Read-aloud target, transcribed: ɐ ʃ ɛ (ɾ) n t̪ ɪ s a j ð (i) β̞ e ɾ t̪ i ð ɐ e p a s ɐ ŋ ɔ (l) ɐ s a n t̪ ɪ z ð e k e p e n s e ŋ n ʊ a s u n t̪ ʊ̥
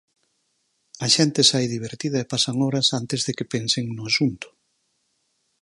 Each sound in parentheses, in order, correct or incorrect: incorrect: none, correct, incorrect: ɾ

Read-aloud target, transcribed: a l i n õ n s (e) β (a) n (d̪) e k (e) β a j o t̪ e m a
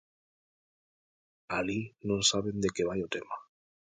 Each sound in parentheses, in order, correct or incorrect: incorrect: a, incorrect: e, correct, correct

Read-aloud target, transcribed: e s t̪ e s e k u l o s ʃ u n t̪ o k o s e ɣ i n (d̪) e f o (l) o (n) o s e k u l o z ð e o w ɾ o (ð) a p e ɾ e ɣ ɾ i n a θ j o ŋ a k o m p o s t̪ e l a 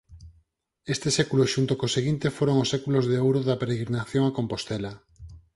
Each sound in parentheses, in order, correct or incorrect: incorrect: t̪, incorrect: ɾ, incorrect: ŋ, correct

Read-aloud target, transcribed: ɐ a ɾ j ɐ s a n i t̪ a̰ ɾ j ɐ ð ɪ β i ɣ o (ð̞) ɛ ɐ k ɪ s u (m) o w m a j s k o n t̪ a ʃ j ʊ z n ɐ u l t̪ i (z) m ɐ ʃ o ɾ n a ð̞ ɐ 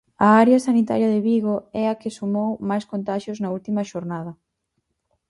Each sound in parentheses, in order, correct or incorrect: incorrect: none, correct, incorrect: none

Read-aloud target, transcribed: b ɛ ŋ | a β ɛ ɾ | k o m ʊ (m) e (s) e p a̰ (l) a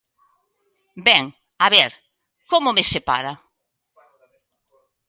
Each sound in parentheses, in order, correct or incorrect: correct, correct, incorrect: ɾ

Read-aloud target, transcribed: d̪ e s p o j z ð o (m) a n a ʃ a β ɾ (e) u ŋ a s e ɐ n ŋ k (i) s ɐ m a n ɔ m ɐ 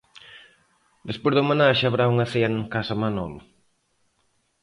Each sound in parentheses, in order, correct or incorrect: correct, incorrect: a, incorrect: a

